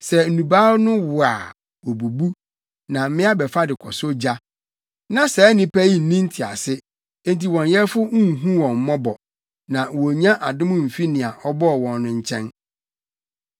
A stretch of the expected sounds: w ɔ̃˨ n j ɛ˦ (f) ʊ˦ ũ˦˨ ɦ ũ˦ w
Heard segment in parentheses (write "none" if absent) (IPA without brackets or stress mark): f